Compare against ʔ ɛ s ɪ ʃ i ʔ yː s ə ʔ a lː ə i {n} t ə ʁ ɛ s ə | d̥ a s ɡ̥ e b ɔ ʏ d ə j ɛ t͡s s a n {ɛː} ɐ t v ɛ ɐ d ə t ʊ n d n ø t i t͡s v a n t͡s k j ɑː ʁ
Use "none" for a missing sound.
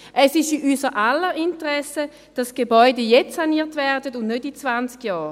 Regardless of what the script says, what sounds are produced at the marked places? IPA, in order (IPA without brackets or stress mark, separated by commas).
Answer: n, iː